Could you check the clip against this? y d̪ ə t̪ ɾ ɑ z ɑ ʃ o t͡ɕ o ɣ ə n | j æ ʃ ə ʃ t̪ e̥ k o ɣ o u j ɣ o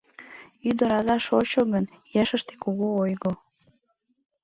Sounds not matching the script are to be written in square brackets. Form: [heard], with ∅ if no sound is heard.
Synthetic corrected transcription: y d̪ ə [∅] ɾ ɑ z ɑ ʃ o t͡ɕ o ɣ ə n | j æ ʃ ə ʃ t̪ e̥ k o ɣ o [o] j ɣ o

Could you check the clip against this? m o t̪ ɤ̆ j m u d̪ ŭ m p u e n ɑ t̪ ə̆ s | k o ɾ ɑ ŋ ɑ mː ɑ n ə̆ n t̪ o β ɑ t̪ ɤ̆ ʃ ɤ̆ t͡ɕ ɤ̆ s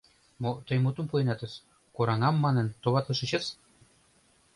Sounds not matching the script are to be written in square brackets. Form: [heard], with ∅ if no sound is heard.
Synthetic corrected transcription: m o t̪ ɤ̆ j m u [t̪] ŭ m p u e n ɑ t̪ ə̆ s | k o ɾ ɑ ŋ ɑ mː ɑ n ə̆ n t̪ o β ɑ t̪ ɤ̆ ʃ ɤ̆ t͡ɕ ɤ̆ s

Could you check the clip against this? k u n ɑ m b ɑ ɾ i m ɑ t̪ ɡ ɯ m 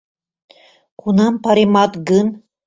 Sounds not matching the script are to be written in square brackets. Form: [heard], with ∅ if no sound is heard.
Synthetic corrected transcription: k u n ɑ m [p] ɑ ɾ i m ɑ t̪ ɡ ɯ [n]

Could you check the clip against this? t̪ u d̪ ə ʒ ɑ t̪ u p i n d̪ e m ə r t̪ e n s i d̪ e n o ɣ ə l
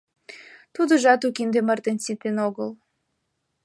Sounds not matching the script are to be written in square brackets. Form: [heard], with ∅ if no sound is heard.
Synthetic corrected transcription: t̪ u d̪ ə ʒ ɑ t̪ u [k] i n d̪ e m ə r t̪ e n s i [t̪] e n o ɣ ə l

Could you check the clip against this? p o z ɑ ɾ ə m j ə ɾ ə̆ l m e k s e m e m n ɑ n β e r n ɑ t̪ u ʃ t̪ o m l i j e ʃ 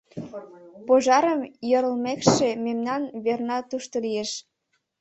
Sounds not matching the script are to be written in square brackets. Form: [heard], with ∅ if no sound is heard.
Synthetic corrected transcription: p o [ʒ] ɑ ɾ ə m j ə ɾ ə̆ l m e k [ʃ] e m e m n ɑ n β e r n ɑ t̪ u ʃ t̪ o [∅] l i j e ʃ

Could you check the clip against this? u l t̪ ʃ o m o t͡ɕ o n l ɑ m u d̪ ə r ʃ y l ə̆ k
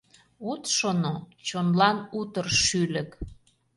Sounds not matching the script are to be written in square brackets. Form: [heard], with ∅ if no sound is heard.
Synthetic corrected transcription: u [∅] t̪ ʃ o [n] o t͡ɕ o n l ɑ [n] u [t̪] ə r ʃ y l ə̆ k

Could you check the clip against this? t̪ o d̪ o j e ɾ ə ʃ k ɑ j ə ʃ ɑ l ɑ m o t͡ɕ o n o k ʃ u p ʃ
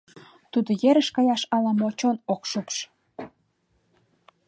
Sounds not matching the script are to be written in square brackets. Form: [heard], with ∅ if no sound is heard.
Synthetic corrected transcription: t̪ [u] d̪ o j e ɾ ə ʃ k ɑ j [ɑ] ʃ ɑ l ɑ m o t͡ɕ o n o k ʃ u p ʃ

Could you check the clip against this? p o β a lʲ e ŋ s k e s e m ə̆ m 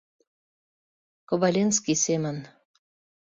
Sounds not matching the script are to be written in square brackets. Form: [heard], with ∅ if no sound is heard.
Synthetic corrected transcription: [k] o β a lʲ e [n] s k [i] s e m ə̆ [n]

